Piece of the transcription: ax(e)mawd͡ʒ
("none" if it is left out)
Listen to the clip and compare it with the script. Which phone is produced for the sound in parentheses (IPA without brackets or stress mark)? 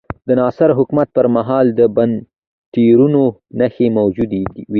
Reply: e